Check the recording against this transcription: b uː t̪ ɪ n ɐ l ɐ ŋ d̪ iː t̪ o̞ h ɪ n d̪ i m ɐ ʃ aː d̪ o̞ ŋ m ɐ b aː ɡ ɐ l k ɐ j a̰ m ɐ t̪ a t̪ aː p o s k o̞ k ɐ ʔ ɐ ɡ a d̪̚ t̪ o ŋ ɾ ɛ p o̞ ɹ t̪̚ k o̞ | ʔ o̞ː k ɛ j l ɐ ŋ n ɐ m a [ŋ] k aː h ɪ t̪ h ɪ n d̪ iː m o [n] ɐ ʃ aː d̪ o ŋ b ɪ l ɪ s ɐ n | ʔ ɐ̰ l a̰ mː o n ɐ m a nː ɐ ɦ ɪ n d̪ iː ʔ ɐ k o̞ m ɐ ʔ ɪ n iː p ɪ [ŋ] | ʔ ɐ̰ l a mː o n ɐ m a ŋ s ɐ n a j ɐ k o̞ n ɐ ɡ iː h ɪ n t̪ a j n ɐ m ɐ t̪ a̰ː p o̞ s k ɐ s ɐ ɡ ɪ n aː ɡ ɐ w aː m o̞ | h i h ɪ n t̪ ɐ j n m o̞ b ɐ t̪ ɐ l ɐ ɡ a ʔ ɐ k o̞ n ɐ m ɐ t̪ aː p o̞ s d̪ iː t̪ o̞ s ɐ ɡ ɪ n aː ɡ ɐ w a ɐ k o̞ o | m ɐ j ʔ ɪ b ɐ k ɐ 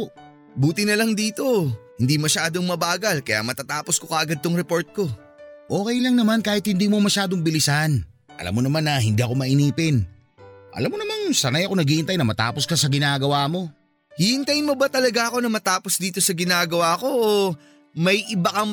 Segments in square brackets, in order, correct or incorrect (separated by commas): incorrect, incorrect, incorrect